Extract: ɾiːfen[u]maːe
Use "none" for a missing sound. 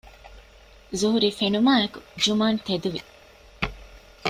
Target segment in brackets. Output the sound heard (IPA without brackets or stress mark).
u